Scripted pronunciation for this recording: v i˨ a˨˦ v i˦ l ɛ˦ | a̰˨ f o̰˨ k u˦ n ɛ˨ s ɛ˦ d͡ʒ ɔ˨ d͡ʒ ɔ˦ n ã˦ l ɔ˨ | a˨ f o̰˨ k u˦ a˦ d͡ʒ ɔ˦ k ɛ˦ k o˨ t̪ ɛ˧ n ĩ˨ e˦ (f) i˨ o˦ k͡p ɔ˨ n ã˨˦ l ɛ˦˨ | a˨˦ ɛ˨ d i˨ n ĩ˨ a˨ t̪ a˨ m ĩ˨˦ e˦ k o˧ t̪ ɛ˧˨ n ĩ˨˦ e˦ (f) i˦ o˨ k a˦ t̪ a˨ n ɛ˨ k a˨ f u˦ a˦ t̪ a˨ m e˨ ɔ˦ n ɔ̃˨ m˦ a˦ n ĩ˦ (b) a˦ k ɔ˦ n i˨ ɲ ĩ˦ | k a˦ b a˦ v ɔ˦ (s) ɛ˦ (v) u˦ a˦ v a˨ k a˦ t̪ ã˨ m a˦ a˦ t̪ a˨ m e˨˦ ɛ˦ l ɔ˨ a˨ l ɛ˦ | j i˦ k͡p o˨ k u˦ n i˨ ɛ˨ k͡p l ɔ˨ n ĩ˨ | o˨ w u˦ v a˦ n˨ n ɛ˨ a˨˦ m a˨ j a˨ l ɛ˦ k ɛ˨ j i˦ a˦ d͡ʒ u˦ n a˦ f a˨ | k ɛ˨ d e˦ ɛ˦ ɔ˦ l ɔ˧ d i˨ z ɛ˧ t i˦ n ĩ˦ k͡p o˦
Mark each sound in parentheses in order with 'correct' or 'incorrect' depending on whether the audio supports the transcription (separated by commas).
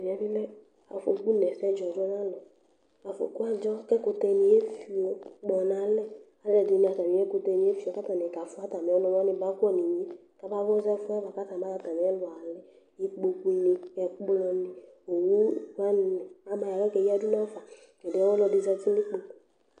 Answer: correct, correct, correct, incorrect, incorrect